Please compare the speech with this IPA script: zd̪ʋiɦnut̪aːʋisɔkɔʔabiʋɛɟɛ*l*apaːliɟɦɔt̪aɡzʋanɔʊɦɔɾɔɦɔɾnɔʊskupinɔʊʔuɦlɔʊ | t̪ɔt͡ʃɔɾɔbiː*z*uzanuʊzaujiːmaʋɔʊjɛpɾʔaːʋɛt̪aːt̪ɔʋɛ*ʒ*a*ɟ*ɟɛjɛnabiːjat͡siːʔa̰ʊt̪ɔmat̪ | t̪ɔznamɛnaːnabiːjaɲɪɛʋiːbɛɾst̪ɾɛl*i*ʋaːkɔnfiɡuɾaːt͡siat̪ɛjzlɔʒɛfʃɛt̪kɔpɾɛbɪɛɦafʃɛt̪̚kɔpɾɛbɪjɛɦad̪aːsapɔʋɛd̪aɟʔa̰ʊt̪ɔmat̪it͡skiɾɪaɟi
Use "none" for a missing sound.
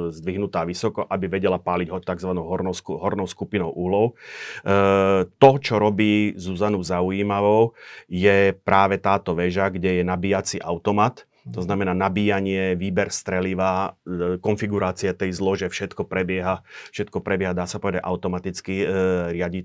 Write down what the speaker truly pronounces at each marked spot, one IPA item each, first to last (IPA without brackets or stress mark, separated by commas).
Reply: l, z, ʒ, ɡ, i